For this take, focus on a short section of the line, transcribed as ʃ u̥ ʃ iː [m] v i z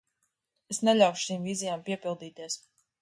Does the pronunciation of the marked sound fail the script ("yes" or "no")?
no